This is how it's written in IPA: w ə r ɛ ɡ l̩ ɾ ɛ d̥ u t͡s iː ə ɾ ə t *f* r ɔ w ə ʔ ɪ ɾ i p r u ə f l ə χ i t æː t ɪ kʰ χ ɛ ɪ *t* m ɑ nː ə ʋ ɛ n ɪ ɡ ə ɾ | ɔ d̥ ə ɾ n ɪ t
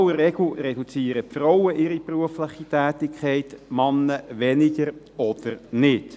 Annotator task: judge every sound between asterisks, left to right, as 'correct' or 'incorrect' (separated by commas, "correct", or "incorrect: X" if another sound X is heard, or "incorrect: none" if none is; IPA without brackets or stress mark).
correct, correct